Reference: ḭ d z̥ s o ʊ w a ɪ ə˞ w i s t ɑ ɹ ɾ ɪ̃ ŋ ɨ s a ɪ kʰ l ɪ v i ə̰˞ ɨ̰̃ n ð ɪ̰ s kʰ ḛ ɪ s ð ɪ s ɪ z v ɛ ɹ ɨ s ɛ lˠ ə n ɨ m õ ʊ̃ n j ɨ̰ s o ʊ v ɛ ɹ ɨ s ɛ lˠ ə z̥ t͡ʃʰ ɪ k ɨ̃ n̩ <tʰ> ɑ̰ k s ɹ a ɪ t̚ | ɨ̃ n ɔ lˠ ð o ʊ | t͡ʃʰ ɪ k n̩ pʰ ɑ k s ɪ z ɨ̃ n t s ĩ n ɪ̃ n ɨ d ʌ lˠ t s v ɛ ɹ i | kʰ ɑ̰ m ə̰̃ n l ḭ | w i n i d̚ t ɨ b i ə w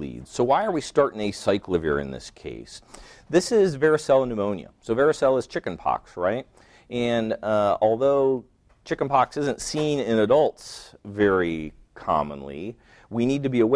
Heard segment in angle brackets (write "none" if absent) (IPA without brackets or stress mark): pʰ